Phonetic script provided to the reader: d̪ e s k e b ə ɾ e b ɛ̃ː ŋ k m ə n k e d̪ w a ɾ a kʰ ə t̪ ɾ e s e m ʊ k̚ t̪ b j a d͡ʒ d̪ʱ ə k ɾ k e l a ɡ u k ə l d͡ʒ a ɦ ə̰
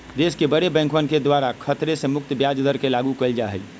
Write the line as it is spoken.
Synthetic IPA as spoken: d̪ e s k e b ə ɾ e b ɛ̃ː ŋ k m ə n k e d̪ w a ɾ a kʰ ə t̪ ɾ e s e m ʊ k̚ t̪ b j a d͡ʒ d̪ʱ ə ɾ k e l a ɡ u k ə l d͡ʒ a ɦ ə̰